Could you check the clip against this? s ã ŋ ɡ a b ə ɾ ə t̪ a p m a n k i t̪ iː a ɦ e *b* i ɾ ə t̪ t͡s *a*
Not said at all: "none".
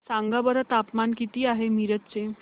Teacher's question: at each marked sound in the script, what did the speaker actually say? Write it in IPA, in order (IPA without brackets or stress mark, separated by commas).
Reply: m, e